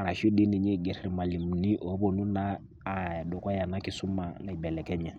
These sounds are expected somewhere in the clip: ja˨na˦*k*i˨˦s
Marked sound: correct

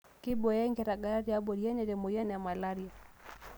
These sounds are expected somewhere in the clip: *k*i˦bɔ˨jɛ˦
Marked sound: correct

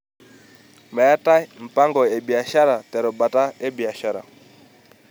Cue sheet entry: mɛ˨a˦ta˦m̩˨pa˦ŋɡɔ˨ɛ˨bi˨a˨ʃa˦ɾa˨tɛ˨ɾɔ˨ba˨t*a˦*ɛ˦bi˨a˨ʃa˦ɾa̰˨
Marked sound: correct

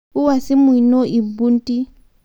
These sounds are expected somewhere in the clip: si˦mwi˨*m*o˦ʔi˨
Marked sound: incorrect: n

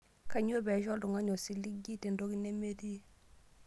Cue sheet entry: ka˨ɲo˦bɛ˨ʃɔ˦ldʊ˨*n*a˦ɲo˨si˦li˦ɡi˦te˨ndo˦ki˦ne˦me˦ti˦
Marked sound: incorrect: ŋ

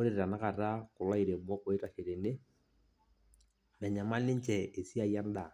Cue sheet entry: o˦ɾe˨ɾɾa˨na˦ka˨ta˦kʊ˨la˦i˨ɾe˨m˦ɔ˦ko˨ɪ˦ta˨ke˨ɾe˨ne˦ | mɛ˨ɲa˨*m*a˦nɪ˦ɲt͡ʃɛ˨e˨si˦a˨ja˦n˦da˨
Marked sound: correct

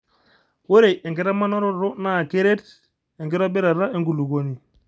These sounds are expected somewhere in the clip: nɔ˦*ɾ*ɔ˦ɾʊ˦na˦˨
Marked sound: correct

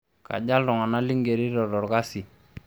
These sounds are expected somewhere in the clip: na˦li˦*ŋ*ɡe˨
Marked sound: correct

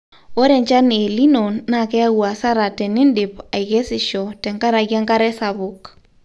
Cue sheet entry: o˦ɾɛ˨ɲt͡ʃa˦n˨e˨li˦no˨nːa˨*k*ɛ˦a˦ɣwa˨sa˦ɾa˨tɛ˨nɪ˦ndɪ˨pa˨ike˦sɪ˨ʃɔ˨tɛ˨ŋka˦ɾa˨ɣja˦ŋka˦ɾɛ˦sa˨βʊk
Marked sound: correct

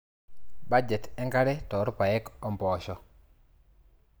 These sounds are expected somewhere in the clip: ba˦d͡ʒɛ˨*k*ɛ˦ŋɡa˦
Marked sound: incorrect: t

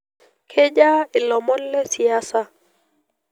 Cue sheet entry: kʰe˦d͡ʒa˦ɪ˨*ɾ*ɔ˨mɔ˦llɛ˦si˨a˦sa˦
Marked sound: incorrect: l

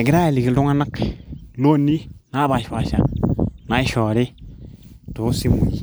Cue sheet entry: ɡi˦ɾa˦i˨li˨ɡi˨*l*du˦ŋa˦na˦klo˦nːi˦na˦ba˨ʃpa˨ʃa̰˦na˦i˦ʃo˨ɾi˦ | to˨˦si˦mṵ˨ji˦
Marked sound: correct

